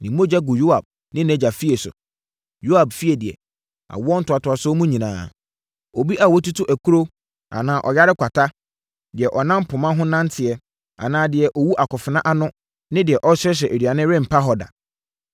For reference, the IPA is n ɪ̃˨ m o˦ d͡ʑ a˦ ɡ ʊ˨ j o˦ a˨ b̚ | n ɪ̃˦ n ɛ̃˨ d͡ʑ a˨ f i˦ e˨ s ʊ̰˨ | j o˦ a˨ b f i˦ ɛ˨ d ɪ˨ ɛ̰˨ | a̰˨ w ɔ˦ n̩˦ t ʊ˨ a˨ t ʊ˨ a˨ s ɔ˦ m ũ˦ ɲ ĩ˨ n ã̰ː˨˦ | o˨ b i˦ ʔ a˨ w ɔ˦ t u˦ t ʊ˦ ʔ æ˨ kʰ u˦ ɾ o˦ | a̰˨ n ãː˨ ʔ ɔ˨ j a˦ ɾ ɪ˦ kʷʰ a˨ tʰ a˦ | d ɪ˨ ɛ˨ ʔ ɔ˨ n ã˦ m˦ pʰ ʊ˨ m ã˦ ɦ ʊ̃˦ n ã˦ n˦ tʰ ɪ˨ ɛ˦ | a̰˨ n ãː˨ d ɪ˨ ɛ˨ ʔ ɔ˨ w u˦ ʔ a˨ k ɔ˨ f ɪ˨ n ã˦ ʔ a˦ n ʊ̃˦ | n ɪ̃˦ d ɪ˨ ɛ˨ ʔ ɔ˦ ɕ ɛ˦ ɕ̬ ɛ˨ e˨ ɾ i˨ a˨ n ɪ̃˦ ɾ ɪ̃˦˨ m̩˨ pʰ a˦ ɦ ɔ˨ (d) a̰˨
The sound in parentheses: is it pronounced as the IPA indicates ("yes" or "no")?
yes